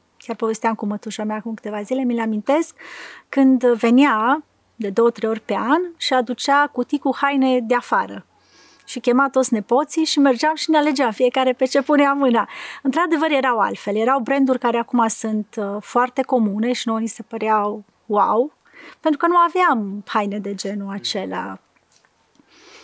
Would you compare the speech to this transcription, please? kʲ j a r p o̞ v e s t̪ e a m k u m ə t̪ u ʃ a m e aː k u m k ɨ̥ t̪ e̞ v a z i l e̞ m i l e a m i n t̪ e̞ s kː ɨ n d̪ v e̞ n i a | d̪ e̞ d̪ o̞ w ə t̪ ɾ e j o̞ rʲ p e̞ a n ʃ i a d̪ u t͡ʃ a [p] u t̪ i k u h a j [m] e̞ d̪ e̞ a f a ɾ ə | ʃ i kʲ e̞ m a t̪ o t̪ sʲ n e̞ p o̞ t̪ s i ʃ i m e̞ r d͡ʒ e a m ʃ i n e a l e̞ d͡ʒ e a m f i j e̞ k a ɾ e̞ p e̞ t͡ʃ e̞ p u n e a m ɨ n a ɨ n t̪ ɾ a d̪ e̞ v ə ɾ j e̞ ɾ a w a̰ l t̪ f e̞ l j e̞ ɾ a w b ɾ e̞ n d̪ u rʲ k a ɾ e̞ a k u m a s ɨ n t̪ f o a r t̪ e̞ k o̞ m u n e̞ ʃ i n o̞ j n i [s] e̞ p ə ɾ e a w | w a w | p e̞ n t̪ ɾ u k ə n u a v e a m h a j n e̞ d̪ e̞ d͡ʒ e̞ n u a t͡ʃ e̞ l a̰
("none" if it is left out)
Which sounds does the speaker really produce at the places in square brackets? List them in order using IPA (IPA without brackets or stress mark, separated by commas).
k, n, s